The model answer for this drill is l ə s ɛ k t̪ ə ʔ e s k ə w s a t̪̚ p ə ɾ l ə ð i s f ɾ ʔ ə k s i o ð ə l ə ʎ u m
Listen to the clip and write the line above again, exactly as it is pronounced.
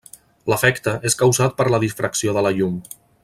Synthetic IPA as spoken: l ə f ɛ k t̪ ə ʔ e s k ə w z a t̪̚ p ə ɾ l ə ð i s f ɾ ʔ ə k s i o ð ə l ə ʎ u m